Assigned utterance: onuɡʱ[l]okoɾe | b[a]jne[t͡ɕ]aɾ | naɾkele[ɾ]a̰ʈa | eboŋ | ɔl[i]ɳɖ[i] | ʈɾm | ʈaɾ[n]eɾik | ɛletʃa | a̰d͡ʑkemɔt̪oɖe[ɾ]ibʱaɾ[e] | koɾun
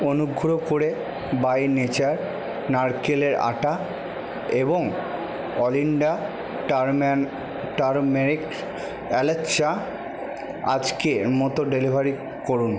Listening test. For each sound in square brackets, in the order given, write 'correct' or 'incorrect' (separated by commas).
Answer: incorrect, correct, correct, correct, correct, incorrect, incorrect, incorrect, incorrect